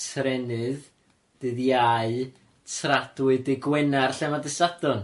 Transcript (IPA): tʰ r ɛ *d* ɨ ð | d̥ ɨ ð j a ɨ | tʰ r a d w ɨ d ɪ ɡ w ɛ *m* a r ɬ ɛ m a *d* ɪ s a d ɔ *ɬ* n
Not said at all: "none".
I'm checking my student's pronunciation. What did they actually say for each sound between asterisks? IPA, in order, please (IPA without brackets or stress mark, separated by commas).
n, n, d, none